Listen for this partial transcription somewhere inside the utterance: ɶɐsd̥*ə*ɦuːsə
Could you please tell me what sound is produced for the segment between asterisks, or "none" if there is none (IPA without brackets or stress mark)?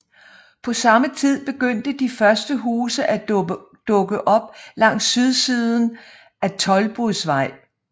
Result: ə